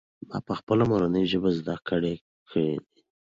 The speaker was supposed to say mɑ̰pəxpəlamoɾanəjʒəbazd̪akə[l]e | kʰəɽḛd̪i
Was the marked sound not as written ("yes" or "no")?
yes